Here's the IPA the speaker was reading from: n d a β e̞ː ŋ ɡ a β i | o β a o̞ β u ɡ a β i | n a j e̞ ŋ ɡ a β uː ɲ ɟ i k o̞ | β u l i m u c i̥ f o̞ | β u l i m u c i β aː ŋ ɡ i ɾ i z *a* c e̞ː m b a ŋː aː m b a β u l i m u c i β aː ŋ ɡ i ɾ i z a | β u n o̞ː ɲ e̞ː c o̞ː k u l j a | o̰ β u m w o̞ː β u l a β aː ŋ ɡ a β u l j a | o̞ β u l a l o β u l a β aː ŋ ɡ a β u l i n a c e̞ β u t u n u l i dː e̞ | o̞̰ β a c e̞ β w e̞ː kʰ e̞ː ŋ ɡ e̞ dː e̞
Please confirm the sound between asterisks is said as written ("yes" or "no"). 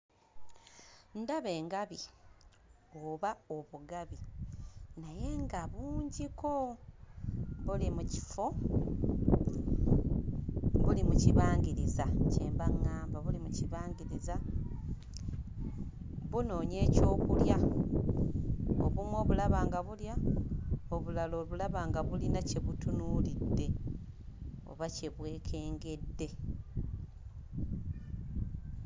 yes